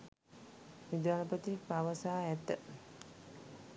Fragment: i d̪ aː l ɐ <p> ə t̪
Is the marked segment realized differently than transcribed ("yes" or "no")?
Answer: no